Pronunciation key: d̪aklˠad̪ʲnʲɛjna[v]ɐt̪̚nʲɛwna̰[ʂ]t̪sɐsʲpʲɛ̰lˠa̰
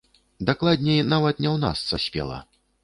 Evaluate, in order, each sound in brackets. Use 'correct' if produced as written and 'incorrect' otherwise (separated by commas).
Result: correct, incorrect